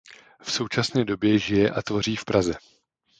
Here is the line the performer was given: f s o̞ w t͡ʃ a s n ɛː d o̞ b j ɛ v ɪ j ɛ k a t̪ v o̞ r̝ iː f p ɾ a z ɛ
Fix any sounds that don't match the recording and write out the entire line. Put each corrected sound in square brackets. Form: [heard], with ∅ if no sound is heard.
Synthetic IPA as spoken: f s o̞ w t͡ʃ a s n ɛː d o̞ b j ɛ [ʒ] ɪ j ɛ [ʔ] a t̪ v o̞ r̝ iː f p ɾ a z ɛ